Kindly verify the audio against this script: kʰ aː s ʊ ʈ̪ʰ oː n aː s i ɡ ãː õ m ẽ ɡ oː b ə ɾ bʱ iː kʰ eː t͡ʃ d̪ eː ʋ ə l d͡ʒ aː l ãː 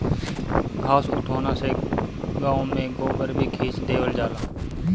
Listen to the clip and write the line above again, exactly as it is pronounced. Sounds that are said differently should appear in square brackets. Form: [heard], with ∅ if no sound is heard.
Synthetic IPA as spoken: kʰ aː s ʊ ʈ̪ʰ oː n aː s [e] ɡ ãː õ m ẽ ɡ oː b ə ɾ bʱ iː kʰ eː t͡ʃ d̪ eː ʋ ə l d͡ʒ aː l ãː